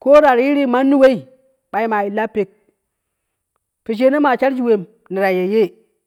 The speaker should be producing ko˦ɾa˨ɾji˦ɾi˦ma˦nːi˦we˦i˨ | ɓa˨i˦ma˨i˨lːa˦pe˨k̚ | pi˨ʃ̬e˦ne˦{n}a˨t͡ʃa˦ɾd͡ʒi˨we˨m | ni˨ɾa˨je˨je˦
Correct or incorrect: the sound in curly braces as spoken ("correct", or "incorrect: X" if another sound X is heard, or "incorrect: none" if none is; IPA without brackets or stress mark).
incorrect: m